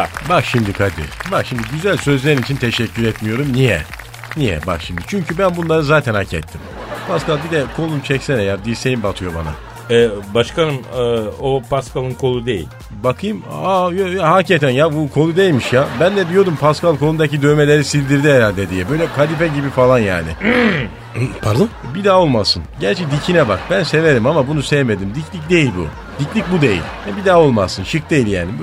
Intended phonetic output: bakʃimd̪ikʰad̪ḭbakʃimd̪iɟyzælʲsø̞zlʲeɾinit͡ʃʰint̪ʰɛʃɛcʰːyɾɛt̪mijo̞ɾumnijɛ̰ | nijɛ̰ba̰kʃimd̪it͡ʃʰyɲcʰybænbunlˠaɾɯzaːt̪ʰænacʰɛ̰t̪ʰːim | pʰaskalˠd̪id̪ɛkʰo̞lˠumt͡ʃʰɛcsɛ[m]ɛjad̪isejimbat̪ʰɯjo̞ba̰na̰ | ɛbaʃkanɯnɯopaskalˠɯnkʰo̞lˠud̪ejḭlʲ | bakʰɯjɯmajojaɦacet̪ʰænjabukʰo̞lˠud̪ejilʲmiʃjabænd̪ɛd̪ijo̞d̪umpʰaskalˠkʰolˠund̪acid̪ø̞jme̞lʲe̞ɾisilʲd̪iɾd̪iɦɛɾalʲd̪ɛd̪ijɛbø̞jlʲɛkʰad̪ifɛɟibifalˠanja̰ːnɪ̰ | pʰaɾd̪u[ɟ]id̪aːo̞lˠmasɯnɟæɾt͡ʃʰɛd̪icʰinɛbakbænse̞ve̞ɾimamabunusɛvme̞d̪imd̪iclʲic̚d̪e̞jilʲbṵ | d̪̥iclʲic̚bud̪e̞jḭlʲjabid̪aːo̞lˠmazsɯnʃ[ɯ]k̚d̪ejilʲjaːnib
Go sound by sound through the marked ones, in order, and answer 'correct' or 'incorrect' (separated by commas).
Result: incorrect, incorrect, correct